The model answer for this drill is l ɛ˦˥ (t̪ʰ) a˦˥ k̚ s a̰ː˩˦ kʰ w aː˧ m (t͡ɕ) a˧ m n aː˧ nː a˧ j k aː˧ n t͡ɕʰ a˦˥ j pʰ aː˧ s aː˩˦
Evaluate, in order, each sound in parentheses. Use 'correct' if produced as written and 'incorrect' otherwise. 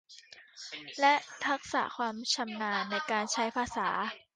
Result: correct, incorrect

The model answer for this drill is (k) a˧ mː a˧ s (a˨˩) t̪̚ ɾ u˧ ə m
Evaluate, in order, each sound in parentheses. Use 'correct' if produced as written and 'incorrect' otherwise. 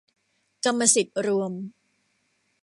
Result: correct, incorrect

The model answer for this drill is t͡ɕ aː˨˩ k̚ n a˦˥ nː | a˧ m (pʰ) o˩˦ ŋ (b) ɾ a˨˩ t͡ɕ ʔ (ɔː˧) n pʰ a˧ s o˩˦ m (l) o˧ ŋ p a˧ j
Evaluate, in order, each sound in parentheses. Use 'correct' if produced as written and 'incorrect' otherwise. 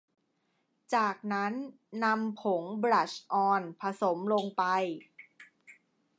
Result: correct, correct, correct, correct

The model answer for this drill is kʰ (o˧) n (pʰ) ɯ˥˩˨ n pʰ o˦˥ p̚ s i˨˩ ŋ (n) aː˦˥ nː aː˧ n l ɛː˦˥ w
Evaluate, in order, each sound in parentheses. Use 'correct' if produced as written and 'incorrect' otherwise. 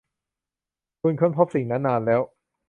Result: incorrect, incorrect, correct

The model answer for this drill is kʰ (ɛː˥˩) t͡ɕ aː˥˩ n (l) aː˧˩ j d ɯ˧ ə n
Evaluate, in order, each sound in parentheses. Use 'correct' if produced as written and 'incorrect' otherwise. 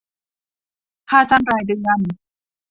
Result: incorrect, incorrect

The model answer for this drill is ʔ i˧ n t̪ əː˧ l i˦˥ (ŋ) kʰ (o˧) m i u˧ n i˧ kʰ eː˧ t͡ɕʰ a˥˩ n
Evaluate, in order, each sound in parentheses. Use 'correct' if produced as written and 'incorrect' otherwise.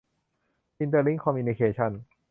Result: correct, incorrect

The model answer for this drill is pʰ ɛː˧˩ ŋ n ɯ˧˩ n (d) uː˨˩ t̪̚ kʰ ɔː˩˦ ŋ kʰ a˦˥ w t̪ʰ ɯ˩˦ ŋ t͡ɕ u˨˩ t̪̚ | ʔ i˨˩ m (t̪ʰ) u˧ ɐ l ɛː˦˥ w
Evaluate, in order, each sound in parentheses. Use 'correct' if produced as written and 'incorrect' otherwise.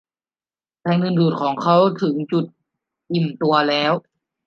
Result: correct, incorrect

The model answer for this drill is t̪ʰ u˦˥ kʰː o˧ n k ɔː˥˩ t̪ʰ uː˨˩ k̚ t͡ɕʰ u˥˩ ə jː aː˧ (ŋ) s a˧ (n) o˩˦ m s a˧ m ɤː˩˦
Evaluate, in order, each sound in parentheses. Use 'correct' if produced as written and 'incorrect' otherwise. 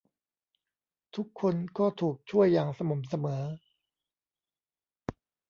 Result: correct, incorrect

